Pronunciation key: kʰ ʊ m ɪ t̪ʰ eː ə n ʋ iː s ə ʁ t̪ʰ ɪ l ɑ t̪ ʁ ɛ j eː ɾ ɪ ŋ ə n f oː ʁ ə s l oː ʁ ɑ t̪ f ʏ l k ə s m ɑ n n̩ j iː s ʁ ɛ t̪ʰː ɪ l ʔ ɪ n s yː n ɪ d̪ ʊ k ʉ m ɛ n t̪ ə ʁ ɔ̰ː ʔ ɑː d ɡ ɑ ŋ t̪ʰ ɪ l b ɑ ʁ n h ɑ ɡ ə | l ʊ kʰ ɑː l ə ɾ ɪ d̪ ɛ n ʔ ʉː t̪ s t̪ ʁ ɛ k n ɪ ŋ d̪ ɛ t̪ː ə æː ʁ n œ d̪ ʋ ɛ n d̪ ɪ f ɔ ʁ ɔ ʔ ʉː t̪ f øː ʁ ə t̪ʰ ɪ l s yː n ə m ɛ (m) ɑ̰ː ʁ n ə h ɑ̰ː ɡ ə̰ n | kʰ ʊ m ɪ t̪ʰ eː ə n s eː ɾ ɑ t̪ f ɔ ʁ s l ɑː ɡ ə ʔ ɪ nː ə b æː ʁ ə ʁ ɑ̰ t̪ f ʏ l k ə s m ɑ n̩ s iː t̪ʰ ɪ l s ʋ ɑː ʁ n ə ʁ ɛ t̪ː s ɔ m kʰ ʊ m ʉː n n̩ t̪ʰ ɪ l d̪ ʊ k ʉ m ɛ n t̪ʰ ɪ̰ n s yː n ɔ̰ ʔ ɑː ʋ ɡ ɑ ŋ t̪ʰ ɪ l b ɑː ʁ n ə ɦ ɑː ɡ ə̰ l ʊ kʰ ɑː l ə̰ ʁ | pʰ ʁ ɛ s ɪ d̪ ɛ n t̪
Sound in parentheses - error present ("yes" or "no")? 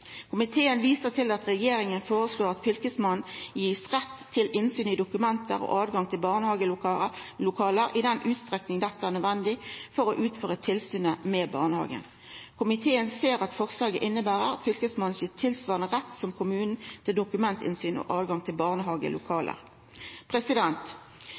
yes